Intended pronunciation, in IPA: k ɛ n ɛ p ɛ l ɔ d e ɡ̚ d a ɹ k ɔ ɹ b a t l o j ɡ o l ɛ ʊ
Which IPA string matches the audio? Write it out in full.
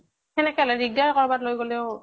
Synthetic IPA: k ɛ n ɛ k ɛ l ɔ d i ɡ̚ d a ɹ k ɔ ɹ b a t l o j ɡ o l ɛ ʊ